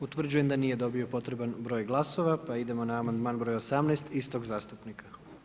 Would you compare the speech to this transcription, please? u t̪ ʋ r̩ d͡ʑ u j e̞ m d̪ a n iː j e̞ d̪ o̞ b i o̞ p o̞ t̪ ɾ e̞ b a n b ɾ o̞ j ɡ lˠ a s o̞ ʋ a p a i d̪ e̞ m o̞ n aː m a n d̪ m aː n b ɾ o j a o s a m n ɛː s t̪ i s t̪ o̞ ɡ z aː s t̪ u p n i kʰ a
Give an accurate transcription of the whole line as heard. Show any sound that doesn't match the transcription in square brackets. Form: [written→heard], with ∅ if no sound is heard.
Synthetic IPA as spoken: u t̪ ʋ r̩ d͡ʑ u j e̞ m d̪ a n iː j e̞ d̪ o̞ b i o̞ p o̞ t̪ ɾ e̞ b a n b ɾ o̞ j ɡ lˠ a s o̞ ʋ a p a i d̪ e̞ m o̞ n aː m a n d̪ m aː n b ɾ o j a o s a m n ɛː s t̪ i s t̪ o̞ ɡ z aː s t̪ u p n i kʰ a